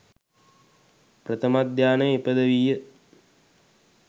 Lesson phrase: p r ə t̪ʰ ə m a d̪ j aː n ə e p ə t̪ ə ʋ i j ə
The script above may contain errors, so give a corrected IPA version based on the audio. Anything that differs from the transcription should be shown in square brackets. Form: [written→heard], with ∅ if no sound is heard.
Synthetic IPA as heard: p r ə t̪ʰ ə m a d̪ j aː n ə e p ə [t̪→d̪] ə ʋ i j ə